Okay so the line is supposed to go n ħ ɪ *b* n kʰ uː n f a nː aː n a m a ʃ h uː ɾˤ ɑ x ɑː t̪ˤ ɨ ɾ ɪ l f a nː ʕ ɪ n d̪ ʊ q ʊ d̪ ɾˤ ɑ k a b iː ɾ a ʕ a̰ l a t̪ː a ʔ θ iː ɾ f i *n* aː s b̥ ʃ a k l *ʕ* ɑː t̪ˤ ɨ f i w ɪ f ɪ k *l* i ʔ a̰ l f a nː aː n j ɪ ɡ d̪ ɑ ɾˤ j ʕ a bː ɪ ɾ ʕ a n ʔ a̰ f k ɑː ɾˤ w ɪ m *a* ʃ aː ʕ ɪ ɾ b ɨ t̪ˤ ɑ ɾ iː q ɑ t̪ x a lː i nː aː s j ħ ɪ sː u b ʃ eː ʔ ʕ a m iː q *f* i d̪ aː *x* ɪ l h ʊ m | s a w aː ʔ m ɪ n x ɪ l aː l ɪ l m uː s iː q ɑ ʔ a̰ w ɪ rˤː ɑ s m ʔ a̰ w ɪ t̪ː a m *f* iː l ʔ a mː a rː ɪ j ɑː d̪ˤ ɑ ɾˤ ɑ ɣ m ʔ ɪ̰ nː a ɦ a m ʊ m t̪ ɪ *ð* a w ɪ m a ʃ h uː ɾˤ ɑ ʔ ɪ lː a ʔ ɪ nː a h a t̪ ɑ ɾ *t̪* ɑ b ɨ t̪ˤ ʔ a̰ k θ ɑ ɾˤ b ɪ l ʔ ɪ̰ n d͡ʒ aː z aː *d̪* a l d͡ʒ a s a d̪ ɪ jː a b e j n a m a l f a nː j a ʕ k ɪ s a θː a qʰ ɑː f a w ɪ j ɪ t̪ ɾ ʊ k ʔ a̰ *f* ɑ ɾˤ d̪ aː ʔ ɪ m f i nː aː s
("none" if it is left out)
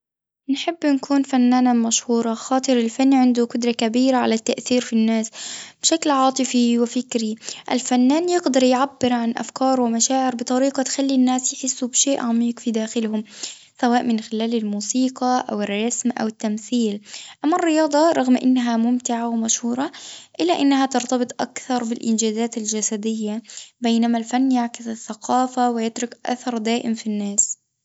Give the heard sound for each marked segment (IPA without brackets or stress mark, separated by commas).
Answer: bː, nː, ʕ, ɾ, a, f, x, θ, ʕ, t̪, t̪, θ